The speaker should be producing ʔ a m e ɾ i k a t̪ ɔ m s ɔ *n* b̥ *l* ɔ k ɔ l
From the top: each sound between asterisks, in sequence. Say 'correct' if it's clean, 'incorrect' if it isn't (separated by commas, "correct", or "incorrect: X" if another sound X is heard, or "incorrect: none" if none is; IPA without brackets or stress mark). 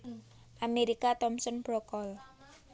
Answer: correct, incorrect: ɾ